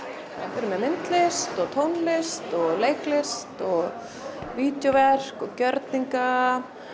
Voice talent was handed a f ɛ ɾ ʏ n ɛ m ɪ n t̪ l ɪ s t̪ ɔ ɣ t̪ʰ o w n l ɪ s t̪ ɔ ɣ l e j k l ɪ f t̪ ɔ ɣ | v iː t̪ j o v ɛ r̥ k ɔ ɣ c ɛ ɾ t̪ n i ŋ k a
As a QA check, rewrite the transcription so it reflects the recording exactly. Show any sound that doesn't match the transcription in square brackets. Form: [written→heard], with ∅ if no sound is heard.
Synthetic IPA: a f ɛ ɾ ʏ [n→m] ɛ m ɪ n t̪ l ɪ s t̪ ɔ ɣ t̪ʰ o w n l ɪ s t̪ ɔ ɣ l e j k l ɪ [f→s] t̪ ɔ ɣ | v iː t̪ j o v ɛ r̥ k ɔ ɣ c [ɛ→œ] ɾ t̪ n i ŋ k a